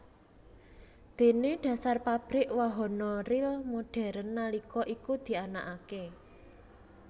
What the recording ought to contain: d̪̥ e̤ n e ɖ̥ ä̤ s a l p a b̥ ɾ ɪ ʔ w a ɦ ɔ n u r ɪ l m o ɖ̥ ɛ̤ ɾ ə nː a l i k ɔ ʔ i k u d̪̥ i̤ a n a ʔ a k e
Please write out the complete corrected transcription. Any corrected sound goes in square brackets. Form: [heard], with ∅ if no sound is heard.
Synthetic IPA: d̪̥ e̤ n e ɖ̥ ä̤ s a [r] p a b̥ ɾ ɪ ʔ w a ɦ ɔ n [ɔ] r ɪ l m o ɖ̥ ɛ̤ ɾ ə nː a l i k ɔ ʔ i k u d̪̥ i̤ a n a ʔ a k e